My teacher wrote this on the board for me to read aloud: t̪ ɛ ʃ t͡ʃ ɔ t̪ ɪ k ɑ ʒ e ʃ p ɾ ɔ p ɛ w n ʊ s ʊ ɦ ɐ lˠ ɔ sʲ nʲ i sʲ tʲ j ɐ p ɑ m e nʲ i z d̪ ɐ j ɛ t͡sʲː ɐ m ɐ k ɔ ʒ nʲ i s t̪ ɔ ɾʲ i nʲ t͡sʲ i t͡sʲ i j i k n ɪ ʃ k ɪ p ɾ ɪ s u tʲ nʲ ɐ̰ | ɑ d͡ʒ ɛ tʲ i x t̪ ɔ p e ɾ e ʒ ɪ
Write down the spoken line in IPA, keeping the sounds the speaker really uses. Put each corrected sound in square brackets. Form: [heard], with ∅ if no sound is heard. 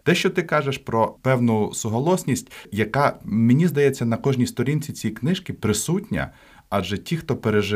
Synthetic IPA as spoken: t̪ ɛ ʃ t͡ʃ ɔ t̪ ɪ k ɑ ʒ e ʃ p ɾ ɔ p ɛ w n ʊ s ʊ ɦ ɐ lˠ ɔ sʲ nʲ i sʲ tʲ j ɐ [k] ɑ m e nʲ i z d̪ ɐ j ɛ t͡sʲː ɐ [n] ɐ k ɔ ʒ nʲ i s t̪ ɔ ɾʲ i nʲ t͡sʲ i t͡sʲ i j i k n ɪ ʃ k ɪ p ɾ ɪ s u tʲ nʲ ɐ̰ | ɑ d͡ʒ ɛ tʲ i x t̪ ɔ p e ɾ e ʒ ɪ